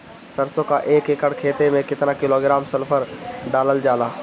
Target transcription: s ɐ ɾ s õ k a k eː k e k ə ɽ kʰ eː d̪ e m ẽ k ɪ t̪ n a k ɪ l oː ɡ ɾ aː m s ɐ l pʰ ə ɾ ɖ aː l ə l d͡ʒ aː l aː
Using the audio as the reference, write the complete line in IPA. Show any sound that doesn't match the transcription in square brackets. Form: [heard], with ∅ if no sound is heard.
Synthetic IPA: s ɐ ɾ s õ k a [ʔ] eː k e k ə ɽ kʰ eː [t̪] e m ẽ k ɪ t̪ n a k ɪ l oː ɡ ɾ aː m s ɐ l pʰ ə ɾ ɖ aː l ə l d͡ʒ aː l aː